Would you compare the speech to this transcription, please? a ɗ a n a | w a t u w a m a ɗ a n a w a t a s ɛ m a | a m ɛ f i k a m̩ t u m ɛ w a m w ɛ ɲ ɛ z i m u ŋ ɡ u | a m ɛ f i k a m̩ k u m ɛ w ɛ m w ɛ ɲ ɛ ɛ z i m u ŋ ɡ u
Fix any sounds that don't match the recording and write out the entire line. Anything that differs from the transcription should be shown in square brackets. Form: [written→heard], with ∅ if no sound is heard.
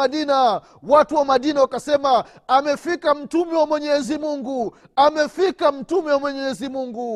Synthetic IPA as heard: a ɗ [a→i] n a | w a t u w a m a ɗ [a→i] n a w a [t→k] a s ɛ m a | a m ɛ f i k a m̩ t u m ɛ w a m w ɛ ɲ ɛ z i m u ŋ ɡ u | a m ɛ f i k a m̩ [k→t] u m ɛ w [ɛ→a] m w ɛ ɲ ɛ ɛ z i m u ŋ ɡ u